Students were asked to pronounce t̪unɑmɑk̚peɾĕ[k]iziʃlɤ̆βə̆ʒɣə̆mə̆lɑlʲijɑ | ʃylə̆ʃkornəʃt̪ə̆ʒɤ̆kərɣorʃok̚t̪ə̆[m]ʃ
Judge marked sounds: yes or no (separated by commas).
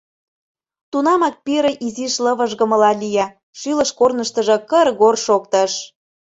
no, no